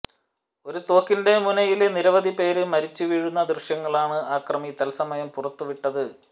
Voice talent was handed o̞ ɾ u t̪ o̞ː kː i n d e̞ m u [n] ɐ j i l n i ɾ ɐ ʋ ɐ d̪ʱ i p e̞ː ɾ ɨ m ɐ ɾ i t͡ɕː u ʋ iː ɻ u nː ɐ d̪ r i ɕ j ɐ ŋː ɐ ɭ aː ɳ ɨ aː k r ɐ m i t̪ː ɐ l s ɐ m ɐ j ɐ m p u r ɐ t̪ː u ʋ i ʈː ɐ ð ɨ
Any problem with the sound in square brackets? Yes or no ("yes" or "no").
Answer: no